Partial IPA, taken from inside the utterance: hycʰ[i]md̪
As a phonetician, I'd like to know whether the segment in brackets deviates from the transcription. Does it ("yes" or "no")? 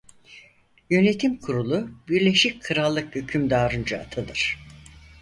yes